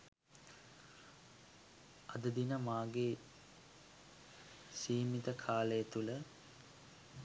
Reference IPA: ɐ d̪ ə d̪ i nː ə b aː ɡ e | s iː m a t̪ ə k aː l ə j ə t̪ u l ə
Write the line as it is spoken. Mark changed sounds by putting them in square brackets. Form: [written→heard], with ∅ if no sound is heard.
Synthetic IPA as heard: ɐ d̪ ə d̪ i [nː→n] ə [b→m] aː ɡ e | s iː m [a→i] t̪ ə [k→kʰ] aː l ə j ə t̪ u l ə